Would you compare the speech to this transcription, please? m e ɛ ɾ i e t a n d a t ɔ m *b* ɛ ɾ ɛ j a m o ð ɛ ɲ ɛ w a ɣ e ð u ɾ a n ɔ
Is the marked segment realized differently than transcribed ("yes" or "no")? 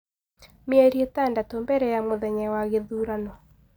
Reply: no